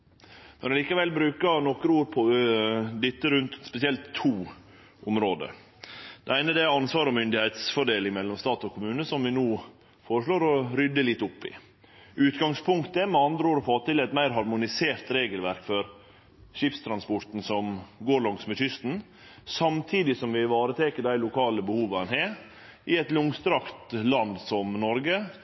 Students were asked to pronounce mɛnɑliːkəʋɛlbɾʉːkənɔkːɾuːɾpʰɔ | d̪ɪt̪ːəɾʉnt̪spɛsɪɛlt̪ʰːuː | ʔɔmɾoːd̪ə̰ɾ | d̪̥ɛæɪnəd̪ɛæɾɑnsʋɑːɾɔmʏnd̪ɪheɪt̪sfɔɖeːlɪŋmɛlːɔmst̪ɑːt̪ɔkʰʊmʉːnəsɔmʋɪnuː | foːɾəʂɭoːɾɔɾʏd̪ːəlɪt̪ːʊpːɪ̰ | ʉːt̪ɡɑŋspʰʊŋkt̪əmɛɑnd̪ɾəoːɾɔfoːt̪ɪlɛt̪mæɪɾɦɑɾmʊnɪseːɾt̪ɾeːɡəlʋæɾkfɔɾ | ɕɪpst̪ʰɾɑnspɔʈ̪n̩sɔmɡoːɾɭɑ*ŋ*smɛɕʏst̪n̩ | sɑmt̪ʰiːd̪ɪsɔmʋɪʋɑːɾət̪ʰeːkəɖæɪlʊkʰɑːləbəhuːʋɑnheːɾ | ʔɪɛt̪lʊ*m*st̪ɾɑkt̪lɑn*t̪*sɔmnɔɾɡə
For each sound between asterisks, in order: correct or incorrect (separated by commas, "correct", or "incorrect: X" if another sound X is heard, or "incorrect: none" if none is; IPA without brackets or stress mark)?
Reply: correct, incorrect: ŋ, incorrect: d̪